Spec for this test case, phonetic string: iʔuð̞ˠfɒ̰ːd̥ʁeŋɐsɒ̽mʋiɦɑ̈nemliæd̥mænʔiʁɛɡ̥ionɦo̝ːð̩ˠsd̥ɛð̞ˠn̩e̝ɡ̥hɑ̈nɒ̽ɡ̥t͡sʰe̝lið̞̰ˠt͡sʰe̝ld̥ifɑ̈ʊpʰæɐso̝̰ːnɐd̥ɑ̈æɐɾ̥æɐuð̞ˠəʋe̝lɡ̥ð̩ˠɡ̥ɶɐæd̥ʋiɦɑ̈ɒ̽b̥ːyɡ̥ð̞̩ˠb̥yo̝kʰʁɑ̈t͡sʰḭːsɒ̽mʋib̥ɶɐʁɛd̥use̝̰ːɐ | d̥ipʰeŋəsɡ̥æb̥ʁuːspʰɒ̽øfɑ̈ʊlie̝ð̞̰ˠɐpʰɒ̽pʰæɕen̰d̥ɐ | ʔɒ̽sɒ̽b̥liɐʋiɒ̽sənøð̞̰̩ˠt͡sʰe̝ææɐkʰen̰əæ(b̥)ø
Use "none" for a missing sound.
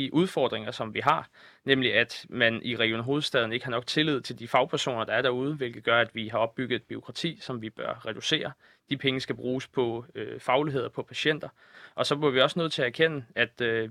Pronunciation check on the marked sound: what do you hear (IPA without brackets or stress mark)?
d̥